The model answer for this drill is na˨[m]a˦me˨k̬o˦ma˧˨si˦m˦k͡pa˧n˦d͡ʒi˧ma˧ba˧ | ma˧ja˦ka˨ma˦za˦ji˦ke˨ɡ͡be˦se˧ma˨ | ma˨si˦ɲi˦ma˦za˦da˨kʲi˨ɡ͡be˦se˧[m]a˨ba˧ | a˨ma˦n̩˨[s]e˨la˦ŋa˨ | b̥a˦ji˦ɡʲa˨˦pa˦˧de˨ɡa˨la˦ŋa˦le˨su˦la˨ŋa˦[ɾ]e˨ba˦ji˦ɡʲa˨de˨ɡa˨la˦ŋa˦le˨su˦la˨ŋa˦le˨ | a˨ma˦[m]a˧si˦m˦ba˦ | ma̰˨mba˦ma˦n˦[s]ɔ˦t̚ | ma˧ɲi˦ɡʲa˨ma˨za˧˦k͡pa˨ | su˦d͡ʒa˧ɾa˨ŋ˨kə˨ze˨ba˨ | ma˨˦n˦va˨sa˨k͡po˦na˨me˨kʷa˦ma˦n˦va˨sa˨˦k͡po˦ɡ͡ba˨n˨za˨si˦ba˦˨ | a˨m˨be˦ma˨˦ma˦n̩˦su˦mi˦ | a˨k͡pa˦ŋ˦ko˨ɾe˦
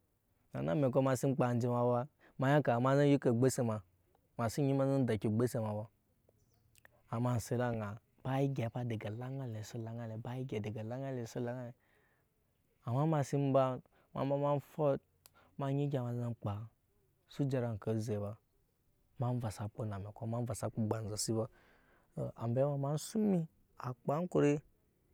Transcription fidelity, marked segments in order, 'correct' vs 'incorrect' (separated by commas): incorrect, correct, correct, incorrect, correct, incorrect